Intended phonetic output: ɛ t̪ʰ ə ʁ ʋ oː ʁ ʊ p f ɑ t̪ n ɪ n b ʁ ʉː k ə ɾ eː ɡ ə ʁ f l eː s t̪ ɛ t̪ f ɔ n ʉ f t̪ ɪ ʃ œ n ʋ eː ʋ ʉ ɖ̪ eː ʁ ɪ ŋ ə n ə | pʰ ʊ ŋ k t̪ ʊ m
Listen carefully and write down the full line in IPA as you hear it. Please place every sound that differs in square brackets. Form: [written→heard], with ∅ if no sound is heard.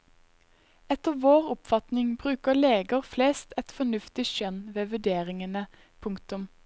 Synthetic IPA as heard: ɛ [t̪ʰ→t̪] ə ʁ ʋ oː ʁ ʊ p f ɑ t̪ n ɪ [n→ŋ] b ʁ ʉː k ə [ɾ→l] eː ɡ ə ʁ f l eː s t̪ ɛ t̪ f ɔ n ʉ f t̪ ɪ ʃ œ n ʋ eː ʋ ʉ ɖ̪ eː ʁ ɪ ŋ ə n ə | pʰ ʊ ŋ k t̪ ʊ m

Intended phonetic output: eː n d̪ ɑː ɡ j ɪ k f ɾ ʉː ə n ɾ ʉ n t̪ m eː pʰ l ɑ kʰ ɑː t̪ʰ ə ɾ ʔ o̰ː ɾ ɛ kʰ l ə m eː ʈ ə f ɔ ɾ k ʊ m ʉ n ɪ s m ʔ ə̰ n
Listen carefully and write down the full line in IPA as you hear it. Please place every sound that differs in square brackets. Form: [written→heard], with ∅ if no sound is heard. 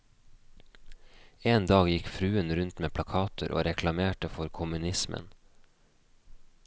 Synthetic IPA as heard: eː n d̪ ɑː ɡ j ɪ k f ɾ ʉː ə n ɾ ʉ n t̪ m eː pʰ l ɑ kʰ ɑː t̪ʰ ə ɾ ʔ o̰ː ɾ ɛ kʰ l [ə→ɑ] m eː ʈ ə f ɔ ɾ [k→kʰ] ʊ m ʉ n ɪ s m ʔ ə̰ n

